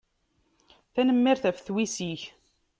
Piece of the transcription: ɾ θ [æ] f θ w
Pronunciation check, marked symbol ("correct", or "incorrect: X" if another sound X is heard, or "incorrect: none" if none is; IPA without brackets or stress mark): correct